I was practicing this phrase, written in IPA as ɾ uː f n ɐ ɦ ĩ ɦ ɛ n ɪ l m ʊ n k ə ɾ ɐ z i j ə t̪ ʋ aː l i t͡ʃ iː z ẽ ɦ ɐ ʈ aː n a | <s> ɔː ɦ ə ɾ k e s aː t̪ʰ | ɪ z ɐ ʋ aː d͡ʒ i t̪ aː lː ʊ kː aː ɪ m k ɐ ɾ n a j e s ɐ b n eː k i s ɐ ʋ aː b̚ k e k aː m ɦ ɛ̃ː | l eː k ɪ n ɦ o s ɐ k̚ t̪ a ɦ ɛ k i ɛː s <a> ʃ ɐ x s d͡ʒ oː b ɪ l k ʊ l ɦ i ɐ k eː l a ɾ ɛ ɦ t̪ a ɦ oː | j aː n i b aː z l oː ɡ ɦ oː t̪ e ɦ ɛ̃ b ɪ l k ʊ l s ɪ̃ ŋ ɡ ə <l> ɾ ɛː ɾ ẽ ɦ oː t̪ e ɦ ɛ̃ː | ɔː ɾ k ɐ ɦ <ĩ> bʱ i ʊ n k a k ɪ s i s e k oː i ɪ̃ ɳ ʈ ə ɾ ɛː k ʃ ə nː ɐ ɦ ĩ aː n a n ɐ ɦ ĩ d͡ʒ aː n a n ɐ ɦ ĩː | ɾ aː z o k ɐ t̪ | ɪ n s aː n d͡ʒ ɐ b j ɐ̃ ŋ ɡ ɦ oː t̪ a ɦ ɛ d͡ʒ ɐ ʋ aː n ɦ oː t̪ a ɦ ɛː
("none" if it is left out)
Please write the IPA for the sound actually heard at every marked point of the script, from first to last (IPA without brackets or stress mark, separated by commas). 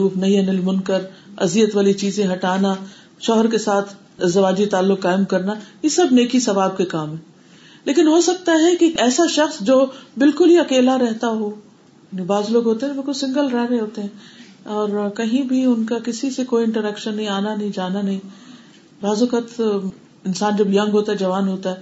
ʃ, a, l, ĩ